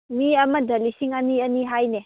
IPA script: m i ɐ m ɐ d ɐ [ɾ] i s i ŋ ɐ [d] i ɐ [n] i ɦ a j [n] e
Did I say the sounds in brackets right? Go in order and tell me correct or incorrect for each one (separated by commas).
incorrect, incorrect, correct, correct